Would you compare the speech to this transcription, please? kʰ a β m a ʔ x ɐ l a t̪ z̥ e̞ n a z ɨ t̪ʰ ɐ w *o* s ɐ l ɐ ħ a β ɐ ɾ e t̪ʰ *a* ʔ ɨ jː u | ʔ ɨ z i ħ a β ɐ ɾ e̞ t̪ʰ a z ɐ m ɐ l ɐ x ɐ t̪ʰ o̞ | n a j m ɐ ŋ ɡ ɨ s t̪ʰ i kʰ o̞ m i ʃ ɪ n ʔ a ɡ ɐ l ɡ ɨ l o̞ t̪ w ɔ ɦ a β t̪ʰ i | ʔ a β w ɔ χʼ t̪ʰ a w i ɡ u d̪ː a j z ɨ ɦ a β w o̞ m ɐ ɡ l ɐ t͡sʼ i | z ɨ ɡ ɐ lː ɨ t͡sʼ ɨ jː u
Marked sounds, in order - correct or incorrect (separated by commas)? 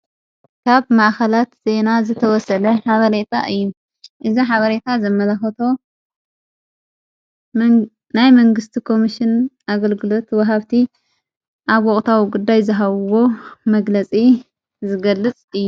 incorrect, correct